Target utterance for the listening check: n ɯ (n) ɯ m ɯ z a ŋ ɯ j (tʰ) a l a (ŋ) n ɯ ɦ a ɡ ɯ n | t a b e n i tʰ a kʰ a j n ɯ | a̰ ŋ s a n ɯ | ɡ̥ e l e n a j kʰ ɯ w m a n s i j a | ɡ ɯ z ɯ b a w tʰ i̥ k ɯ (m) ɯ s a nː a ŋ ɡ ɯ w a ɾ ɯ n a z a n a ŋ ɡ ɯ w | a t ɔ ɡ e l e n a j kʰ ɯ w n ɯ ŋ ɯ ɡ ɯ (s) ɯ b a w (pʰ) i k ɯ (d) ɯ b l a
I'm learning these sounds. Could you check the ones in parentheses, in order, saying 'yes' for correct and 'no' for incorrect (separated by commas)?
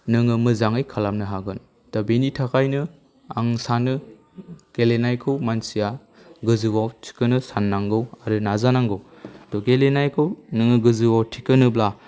no, no, no, no, no, no, no